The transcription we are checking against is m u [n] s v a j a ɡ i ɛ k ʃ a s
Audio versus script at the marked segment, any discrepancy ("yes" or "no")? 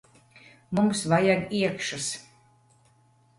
yes